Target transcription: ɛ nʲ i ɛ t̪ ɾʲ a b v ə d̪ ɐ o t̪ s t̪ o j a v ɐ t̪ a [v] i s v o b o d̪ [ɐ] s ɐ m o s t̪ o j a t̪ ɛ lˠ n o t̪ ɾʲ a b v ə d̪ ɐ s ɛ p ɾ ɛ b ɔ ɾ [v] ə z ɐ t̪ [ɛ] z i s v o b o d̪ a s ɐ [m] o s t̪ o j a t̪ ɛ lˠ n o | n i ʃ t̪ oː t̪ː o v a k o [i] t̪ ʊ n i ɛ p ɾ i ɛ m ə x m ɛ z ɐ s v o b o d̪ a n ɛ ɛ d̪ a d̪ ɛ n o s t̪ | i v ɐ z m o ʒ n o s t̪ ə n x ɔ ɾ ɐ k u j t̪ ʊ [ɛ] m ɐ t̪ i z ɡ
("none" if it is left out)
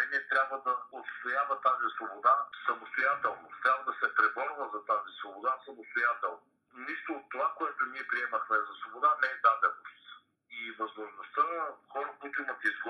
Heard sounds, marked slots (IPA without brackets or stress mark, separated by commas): z, a, v, a, m, ɛ, i